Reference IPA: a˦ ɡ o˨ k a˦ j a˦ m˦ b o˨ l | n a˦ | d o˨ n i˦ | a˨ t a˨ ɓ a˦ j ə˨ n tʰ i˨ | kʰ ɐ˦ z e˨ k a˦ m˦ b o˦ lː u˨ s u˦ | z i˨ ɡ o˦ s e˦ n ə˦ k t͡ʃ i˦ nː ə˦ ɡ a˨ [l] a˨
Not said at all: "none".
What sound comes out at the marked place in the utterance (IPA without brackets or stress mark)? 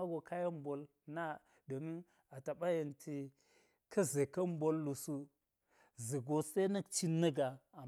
none